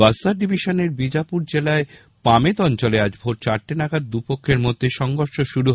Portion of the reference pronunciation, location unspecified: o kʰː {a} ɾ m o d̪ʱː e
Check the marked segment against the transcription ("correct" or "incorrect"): incorrect